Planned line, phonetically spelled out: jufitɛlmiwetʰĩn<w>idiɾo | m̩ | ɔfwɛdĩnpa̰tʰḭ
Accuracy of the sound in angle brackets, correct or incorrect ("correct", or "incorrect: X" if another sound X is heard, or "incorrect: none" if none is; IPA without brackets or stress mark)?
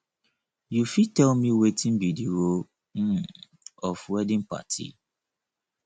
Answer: incorrect: b